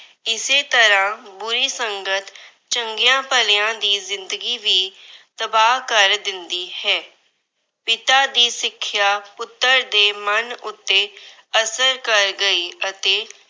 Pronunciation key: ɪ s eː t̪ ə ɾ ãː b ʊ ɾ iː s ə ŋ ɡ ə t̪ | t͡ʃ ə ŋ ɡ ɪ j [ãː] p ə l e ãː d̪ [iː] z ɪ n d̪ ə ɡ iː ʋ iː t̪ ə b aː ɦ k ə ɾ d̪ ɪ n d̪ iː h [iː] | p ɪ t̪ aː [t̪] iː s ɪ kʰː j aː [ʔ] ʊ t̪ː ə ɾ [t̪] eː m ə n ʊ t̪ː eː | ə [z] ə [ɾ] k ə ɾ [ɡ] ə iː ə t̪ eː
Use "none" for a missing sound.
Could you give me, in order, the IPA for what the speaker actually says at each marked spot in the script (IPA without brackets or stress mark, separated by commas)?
ãː, iː, ɛː, d̪, p, d̪, s, ɾ, ɡ